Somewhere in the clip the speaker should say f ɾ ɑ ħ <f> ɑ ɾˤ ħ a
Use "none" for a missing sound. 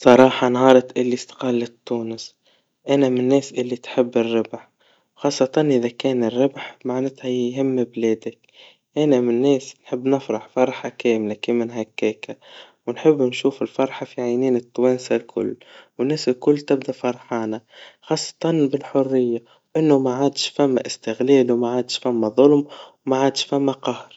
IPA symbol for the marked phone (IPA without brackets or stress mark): f